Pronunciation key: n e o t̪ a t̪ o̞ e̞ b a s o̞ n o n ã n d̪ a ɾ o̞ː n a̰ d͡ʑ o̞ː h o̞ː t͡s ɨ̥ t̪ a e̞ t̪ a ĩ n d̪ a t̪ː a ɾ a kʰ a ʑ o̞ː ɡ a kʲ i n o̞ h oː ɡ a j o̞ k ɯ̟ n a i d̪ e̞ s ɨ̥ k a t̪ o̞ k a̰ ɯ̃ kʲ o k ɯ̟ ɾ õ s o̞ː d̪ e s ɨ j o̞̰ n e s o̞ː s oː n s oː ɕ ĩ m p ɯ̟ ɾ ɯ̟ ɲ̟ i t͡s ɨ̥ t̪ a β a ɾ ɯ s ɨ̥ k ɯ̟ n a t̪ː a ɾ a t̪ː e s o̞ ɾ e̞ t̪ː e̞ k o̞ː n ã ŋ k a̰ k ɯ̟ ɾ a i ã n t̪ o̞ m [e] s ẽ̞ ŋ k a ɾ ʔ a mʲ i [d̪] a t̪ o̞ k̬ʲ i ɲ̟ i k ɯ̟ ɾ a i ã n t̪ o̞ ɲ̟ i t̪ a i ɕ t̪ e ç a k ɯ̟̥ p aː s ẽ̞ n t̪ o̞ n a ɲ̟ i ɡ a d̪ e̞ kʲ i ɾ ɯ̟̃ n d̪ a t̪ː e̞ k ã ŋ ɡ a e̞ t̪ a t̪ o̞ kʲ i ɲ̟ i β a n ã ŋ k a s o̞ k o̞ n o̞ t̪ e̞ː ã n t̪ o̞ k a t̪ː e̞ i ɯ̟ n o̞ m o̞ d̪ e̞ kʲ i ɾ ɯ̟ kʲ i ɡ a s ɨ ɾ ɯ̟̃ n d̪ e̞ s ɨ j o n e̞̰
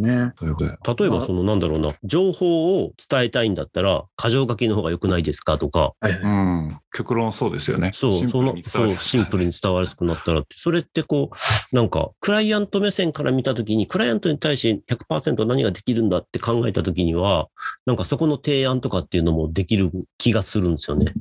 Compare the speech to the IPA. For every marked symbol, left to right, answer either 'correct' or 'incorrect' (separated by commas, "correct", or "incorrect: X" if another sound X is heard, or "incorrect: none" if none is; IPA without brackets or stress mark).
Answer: correct, incorrect: t̪